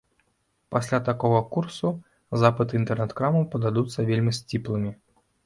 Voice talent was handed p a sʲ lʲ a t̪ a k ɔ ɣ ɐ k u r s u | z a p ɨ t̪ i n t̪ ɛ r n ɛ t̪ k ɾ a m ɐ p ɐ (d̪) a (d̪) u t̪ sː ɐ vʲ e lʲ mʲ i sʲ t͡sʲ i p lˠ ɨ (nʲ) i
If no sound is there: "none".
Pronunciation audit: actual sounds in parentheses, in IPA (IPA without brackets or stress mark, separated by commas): d̪, d̪, mʲ